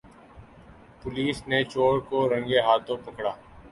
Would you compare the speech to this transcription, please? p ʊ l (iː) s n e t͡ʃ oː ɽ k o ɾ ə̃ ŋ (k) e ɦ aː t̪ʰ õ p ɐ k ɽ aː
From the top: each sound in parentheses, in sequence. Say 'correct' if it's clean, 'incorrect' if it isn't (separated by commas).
correct, incorrect